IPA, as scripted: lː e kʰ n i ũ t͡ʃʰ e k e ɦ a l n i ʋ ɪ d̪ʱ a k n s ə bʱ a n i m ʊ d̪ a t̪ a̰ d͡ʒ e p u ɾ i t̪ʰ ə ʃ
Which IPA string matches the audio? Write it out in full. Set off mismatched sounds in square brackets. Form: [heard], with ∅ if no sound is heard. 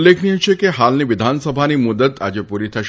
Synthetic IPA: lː e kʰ n i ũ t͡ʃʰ e k e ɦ a l n i ʋ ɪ d̪ʱ a [∅] n s ə bʱ a n i m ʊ d̪ [ə] t̪ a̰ d͡ʒ e p u ɾ i t̪ʰ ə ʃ